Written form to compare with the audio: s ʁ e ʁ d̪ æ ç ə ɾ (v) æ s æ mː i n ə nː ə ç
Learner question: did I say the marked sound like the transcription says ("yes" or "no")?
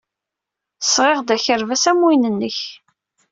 yes